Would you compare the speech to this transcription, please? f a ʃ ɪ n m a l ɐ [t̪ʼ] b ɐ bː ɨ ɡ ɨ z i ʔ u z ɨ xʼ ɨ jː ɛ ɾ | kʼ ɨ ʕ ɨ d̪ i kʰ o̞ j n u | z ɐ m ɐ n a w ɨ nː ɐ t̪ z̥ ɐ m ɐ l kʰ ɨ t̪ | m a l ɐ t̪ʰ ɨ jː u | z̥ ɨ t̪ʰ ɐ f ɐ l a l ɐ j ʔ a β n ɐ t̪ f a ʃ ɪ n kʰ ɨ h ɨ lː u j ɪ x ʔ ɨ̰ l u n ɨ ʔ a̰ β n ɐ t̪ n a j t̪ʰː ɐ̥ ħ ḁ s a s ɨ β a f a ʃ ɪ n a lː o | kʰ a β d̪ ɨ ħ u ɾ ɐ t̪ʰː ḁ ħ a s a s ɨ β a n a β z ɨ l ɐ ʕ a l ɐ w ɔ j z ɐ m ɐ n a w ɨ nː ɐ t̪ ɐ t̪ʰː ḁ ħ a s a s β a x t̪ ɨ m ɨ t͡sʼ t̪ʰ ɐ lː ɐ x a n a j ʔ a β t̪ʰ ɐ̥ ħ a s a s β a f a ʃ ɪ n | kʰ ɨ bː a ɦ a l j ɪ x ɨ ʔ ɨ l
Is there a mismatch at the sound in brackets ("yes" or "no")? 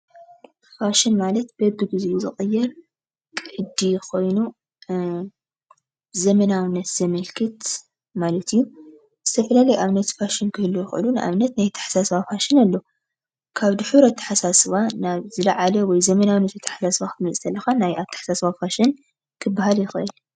yes